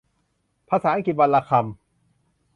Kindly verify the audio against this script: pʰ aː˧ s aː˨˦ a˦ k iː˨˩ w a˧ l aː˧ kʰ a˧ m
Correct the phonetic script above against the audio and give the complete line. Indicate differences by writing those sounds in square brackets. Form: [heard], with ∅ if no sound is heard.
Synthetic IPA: pʰ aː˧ s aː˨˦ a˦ k [i˨˩] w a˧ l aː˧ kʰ a˧ m